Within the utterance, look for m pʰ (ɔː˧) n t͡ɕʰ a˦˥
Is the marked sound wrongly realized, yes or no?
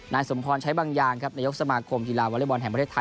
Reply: no